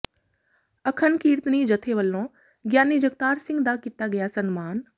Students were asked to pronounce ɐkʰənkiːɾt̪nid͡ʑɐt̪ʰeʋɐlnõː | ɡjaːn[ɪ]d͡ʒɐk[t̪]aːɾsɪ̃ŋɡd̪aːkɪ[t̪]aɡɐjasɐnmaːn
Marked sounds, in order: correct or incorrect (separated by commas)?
incorrect, correct, correct